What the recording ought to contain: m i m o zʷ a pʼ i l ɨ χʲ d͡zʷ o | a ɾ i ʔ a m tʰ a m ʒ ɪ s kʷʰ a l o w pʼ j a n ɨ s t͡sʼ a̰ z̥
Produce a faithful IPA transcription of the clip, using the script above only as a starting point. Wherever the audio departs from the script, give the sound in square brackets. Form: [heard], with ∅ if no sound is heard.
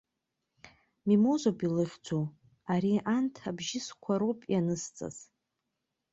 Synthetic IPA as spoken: m i m o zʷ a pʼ i l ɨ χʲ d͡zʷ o | a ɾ i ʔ a [n] tʰ a [b] ʒ ɪ s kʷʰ a [ɾ] o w pʼ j a n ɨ s t͡sʼ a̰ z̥